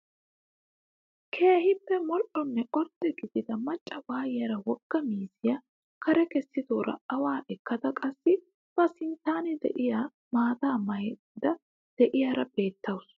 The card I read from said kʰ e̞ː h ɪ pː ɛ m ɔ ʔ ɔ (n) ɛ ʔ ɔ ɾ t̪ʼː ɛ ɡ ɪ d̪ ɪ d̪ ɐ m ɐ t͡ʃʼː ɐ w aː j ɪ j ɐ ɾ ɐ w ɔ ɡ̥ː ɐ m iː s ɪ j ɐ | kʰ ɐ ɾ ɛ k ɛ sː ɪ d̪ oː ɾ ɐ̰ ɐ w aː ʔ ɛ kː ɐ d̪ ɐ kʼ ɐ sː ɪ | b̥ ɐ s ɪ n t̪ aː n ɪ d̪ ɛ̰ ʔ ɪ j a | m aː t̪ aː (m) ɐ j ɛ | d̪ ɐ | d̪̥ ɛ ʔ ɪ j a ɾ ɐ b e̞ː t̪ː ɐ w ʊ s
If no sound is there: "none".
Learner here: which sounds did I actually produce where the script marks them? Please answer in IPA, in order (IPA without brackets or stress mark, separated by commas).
nː, m